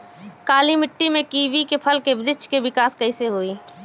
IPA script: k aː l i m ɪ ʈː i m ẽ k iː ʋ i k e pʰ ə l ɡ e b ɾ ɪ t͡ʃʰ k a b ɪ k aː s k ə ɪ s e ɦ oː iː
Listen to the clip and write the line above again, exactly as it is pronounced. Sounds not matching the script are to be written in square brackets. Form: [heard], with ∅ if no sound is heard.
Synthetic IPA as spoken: k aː l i m ɪ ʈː i m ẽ k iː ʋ i k e pʰ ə l [k] e b ɾ ɪ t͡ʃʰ k [e] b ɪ k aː s k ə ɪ s e ɦ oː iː

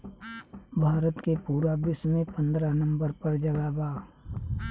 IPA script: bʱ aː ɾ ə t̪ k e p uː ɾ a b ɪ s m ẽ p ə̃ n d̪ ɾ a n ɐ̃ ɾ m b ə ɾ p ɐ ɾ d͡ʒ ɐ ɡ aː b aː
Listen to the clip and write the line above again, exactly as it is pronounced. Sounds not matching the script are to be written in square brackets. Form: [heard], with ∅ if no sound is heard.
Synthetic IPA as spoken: bʱ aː ɾ ə t̪ k e p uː ɾ a b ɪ s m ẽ p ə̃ n d̪ ɾ a n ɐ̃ [∅] m b ə ɾ p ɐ ɾ d͡ʒ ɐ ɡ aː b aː

